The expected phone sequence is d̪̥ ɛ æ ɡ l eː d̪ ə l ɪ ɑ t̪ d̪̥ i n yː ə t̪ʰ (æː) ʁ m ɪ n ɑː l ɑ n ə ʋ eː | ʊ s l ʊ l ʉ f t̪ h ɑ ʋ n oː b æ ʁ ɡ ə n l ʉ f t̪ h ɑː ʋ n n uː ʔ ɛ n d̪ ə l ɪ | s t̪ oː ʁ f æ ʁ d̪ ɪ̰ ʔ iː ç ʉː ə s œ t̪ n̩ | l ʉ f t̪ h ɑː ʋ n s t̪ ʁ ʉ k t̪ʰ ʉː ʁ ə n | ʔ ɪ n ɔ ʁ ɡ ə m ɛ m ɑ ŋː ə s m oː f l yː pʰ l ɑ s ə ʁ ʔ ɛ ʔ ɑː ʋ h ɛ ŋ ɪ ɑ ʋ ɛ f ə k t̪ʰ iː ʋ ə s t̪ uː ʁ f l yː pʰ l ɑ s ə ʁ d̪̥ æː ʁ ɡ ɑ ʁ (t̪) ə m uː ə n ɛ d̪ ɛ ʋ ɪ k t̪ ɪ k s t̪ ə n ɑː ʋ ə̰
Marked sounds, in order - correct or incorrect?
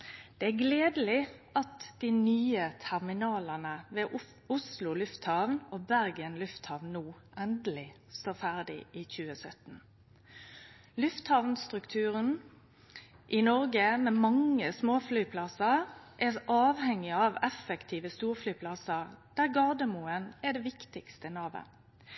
incorrect, incorrect

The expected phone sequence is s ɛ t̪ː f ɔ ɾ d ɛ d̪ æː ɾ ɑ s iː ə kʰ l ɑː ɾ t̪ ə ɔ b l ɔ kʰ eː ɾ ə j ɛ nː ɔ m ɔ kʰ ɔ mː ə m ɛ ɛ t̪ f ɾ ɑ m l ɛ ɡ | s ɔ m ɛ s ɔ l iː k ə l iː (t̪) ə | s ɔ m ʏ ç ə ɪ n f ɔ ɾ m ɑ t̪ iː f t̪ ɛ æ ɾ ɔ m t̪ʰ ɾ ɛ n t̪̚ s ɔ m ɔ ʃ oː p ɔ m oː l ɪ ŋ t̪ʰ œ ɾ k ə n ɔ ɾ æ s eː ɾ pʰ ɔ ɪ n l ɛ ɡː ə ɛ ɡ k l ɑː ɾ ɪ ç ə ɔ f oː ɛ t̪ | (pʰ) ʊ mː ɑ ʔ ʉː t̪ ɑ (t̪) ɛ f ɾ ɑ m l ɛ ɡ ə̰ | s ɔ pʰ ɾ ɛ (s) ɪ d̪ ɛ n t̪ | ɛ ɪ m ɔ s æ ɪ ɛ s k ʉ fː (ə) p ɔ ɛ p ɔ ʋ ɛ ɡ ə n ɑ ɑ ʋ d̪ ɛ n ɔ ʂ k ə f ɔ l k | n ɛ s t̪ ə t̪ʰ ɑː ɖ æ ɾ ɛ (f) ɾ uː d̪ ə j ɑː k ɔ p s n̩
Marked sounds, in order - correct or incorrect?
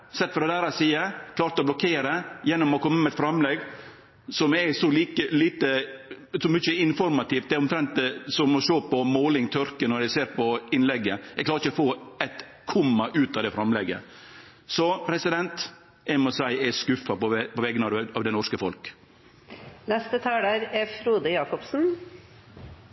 correct, incorrect, incorrect, correct, incorrect, correct

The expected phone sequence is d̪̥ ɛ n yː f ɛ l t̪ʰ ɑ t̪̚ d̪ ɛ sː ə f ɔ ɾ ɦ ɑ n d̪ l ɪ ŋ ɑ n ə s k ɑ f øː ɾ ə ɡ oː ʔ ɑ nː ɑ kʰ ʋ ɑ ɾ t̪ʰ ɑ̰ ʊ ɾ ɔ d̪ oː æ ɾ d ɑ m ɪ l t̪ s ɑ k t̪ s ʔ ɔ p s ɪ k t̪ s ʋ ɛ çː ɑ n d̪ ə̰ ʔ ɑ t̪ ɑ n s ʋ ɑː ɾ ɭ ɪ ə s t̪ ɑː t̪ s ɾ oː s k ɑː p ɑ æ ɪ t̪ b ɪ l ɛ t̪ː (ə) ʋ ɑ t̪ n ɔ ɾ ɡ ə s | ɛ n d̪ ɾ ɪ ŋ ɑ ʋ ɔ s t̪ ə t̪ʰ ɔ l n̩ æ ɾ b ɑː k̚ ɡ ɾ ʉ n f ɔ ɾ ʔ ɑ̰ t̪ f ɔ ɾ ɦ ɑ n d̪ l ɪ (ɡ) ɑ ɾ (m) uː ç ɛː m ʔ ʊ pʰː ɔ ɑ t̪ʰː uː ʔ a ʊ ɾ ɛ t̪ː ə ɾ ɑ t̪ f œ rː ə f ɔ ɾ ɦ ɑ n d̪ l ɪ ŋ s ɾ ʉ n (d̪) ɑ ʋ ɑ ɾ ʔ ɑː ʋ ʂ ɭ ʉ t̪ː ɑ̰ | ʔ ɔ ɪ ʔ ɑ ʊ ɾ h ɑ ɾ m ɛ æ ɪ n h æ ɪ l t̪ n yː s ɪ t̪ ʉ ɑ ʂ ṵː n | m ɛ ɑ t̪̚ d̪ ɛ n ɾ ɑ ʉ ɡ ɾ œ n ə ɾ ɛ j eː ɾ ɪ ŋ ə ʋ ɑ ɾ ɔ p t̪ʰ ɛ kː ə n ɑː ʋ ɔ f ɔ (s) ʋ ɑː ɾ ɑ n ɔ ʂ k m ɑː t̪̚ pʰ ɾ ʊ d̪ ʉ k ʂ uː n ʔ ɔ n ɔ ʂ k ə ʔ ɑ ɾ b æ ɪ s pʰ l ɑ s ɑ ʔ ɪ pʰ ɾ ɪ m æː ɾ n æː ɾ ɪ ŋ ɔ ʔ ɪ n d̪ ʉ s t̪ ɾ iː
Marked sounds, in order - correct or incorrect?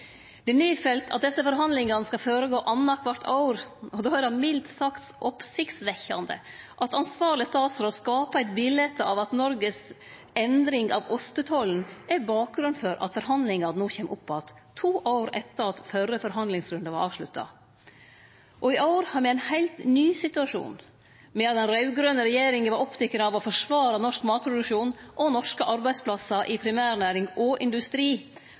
incorrect, incorrect, incorrect, correct, incorrect

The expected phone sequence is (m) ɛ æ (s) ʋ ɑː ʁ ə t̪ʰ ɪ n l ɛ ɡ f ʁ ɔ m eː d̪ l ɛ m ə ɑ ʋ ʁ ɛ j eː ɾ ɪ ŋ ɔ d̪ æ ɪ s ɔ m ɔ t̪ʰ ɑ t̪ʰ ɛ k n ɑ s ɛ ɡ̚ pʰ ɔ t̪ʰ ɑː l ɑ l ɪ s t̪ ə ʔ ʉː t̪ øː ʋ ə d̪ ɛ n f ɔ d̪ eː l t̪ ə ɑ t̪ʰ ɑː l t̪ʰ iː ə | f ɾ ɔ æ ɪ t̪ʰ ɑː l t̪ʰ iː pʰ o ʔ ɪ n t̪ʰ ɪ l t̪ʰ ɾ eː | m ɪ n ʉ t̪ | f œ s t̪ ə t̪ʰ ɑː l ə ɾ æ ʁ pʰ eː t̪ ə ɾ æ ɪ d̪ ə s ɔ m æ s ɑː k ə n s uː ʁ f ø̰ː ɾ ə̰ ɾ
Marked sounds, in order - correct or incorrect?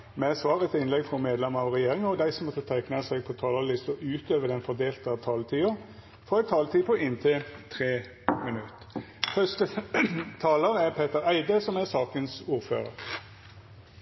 correct, correct

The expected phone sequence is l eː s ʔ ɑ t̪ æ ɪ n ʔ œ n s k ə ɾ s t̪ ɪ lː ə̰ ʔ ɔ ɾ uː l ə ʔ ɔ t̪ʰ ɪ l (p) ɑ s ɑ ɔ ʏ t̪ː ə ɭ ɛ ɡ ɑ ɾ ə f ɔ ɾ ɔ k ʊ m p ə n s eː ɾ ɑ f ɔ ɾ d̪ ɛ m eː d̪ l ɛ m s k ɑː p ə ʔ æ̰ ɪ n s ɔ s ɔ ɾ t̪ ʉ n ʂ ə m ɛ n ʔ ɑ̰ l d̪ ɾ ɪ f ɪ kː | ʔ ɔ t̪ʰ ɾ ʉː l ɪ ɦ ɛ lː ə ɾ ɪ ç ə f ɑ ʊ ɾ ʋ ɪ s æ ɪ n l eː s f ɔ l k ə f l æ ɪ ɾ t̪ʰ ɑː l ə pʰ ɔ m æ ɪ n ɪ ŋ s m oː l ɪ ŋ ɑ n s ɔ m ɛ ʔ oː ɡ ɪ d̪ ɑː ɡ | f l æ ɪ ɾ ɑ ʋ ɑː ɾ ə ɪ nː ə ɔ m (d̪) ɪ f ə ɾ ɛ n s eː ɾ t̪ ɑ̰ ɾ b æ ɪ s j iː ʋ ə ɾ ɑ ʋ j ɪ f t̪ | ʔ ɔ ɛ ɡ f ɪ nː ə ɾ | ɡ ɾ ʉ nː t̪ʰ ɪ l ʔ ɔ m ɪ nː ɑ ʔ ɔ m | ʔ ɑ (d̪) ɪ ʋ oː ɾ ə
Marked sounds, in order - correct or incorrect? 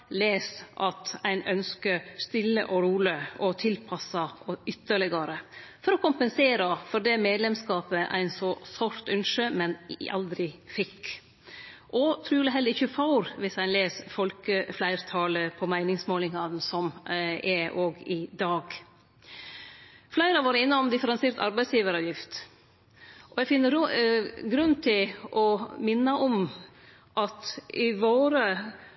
incorrect, correct, incorrect

